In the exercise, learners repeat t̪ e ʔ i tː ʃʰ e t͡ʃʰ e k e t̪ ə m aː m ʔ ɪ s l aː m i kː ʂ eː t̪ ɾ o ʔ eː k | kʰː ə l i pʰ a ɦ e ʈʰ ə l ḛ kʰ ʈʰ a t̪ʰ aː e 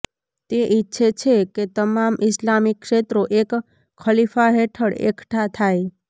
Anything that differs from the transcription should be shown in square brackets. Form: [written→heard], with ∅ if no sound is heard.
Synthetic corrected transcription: t̪ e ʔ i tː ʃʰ e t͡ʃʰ e k e t̪ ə m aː m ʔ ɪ s l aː m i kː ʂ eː t̪ ɾ o ʔ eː k | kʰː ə l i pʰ a ɦ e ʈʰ ə [l→ɽ] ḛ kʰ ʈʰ a t̪ʰ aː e